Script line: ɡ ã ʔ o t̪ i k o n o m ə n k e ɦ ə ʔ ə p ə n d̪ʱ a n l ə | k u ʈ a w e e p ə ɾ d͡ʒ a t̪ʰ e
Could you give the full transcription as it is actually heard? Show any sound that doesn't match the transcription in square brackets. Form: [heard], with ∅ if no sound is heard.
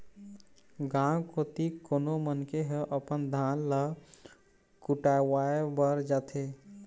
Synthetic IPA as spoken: ɡ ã [k] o t̪ i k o n o m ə n k e ɦ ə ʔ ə p ə n d̪ʱ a n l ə | k u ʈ a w [a] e [b] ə ɾ d͡ʒ a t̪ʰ e